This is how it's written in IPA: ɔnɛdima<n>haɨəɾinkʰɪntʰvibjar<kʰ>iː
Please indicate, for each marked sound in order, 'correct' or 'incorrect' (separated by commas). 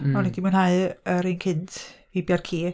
correct, correct